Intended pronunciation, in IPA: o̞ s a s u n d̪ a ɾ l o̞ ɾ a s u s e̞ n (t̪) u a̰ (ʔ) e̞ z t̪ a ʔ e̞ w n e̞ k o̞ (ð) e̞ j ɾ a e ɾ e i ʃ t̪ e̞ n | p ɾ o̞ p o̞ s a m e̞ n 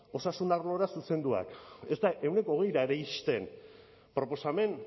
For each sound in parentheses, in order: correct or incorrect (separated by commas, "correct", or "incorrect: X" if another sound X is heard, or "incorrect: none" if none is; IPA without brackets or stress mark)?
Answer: incorrect: d̪, incorrect: k, incorrect: ɣ